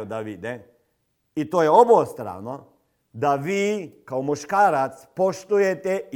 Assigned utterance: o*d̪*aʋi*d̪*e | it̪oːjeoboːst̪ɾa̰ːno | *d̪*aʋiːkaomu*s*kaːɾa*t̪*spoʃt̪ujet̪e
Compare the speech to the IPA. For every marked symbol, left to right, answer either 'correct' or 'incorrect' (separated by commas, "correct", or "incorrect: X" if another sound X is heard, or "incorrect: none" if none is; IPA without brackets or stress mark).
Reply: correct, correct, correct, incorrect: ʃ, correct